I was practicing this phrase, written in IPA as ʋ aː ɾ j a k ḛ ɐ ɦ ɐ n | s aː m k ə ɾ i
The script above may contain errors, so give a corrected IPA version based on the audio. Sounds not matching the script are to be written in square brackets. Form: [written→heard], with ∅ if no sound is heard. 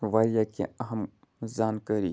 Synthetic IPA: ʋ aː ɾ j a k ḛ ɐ ɦ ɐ [n→m] | [s→z] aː [m→n] k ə ɾ i

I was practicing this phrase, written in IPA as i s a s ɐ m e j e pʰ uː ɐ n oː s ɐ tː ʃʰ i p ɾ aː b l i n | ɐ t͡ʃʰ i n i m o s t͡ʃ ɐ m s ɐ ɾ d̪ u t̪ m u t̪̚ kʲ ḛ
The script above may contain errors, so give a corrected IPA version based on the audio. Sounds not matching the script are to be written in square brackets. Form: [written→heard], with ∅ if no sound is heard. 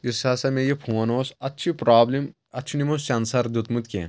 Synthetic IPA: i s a s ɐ m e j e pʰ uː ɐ n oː s ɐ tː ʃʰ i p ɾ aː b l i [n→m] | ɐ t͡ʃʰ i n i m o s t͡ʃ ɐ [m→n] s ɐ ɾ d̪ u t̪ m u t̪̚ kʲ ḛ

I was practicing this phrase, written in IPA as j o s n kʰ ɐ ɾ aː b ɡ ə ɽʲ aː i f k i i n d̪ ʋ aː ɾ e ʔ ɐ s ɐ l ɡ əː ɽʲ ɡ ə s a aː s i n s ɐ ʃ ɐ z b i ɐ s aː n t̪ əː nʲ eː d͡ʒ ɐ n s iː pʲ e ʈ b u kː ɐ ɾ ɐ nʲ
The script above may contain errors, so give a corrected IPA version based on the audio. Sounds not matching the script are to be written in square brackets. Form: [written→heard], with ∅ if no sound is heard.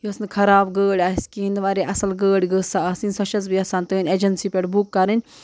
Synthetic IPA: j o s n kʰ ɐ ɾ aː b ɡ [ə→əː] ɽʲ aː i [f→s] k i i n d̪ ʋ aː ɾ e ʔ ɐ s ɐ l ɡ əː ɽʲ ɡ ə s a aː s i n s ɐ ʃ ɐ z b i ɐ s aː n t̪ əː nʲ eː d͡ʒ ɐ n s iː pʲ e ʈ b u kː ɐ ɾ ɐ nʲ

